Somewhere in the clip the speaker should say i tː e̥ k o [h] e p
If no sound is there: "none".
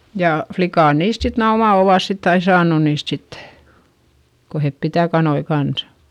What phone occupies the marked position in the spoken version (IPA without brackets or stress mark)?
h